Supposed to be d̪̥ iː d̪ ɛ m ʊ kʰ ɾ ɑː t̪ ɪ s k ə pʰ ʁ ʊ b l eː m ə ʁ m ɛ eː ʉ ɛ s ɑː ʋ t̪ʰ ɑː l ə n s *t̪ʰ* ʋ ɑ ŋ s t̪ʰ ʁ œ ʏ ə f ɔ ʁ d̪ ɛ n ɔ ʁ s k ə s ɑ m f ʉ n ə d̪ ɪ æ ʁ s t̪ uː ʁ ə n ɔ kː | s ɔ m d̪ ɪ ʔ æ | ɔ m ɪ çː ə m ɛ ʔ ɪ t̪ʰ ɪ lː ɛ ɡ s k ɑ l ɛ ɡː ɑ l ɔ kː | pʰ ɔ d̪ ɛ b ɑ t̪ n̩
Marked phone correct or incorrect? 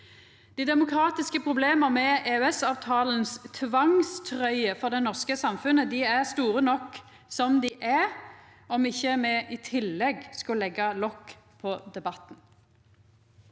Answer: correct